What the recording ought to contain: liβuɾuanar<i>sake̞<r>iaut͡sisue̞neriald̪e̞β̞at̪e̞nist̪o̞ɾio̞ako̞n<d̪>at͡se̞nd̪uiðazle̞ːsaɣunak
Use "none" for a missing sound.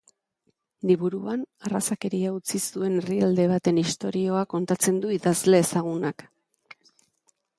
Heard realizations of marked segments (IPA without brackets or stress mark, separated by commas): a, ɾ, t̪